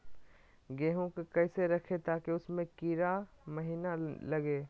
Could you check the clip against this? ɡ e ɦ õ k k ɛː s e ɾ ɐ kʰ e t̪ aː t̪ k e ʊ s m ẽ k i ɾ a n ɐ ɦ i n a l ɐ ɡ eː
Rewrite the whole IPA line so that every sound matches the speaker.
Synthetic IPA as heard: ɡ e ɦ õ k k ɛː s e ɾ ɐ kʰ e t̪ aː k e ʊ s m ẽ k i ɾ a m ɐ ɦ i n a l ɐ ɡ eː